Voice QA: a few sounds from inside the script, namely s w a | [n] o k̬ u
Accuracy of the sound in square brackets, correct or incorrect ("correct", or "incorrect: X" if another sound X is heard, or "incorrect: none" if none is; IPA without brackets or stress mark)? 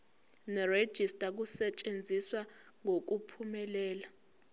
incorrect: ŋ